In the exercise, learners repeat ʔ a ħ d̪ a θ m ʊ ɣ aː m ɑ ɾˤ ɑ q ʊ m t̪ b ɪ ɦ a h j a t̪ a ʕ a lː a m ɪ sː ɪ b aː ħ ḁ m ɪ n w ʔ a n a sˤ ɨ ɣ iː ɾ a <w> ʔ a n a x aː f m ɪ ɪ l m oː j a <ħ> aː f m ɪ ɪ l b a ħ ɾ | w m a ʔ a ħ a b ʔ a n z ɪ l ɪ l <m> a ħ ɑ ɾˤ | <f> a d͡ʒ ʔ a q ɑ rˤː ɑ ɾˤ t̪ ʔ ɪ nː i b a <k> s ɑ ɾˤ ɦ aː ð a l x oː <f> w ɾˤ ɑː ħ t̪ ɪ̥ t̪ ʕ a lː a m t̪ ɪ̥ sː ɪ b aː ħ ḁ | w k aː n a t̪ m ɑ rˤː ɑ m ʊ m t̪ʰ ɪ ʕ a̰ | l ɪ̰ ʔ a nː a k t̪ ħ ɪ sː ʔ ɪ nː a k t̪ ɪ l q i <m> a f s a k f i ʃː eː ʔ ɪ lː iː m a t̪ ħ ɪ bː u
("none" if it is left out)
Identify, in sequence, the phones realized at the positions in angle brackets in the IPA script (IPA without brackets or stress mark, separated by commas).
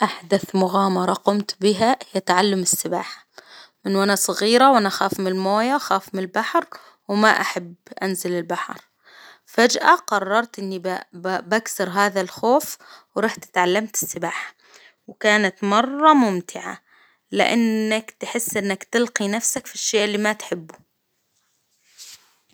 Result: w, x, b, f, k, f, n